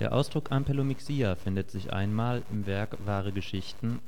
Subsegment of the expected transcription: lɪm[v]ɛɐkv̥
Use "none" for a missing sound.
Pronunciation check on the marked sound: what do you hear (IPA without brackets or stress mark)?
v